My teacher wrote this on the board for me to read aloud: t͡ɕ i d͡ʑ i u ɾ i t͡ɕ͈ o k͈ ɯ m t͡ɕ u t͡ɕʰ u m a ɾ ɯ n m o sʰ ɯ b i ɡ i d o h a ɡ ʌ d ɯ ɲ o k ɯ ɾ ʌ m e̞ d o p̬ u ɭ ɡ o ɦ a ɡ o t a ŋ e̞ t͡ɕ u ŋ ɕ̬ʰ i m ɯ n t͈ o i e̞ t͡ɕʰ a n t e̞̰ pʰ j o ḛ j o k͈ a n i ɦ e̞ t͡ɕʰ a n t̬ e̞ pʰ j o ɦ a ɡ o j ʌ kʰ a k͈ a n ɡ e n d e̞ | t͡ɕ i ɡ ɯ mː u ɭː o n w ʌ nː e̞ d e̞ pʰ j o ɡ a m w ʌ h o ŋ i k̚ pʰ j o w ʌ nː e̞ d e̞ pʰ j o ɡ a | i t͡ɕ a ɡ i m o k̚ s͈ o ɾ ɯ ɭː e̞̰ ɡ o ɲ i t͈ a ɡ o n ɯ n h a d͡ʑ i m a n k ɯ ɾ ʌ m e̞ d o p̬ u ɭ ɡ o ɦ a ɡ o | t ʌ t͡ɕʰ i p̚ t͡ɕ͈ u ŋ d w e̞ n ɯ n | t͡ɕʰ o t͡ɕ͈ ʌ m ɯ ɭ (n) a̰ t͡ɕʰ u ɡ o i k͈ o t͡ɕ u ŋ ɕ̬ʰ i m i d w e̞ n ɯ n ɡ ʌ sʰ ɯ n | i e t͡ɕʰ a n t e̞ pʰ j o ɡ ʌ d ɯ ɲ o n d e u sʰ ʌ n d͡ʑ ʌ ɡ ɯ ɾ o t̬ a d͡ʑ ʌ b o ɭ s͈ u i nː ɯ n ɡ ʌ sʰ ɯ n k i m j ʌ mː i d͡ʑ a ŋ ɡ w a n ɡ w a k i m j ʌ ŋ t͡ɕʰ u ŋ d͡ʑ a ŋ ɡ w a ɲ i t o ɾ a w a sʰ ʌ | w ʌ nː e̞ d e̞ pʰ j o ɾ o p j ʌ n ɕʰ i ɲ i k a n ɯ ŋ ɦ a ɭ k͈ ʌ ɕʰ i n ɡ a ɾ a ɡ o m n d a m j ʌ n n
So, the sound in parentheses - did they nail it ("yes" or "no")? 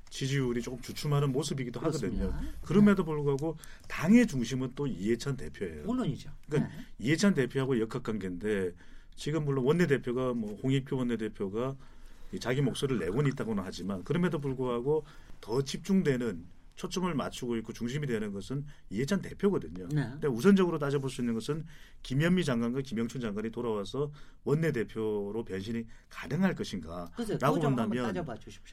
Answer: no